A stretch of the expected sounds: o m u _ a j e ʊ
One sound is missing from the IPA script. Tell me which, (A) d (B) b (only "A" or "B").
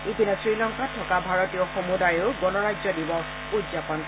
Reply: A